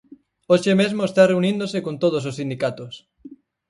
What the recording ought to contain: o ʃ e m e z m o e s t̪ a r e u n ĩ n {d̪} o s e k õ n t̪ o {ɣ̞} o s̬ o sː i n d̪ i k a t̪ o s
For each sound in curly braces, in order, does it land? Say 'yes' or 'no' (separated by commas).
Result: yes, no